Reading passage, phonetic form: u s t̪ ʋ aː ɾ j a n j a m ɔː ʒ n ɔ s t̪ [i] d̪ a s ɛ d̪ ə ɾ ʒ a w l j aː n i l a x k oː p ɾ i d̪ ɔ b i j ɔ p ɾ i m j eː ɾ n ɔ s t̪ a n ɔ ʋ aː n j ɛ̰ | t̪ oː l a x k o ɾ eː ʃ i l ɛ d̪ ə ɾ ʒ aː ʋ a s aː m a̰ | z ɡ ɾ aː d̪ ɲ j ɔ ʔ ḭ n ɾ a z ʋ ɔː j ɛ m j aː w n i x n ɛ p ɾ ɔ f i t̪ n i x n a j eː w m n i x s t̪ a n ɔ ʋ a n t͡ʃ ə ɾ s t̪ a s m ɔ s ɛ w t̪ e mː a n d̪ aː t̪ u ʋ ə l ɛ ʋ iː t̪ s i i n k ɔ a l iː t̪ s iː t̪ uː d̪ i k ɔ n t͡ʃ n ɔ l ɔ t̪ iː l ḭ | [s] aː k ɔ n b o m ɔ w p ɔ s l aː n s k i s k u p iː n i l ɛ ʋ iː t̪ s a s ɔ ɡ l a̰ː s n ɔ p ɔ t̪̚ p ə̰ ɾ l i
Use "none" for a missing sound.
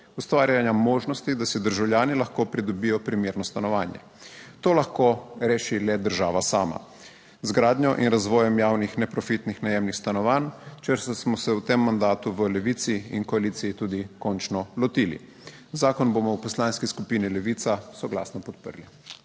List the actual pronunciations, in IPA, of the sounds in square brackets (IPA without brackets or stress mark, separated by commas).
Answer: i, z